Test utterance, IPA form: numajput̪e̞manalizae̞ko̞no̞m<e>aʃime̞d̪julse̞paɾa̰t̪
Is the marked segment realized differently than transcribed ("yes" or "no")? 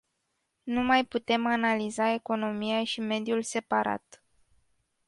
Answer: yes